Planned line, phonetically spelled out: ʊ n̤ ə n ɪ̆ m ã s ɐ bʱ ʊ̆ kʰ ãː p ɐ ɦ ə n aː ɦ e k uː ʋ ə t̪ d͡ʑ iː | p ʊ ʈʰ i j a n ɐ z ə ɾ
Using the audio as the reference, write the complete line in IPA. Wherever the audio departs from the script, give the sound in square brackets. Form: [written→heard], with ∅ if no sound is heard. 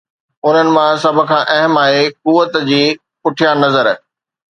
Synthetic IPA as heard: ʊ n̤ ə n ɪ̆ m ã s ɐ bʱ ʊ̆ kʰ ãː [p→ʔ] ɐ ɦ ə [n→m] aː ɦ e k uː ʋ ə t̪ d͡ʑ iː | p ʊ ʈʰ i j a n ɐ z ə ɾ